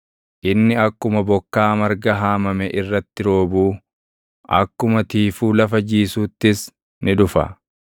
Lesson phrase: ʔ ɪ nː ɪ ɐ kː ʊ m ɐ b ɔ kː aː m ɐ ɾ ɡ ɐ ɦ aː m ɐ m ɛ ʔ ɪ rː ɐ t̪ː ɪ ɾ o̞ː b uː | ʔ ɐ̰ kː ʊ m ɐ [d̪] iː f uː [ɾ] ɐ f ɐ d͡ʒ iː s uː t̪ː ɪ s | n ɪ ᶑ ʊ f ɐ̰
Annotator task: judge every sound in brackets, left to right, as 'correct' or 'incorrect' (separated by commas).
incorrect, incorrect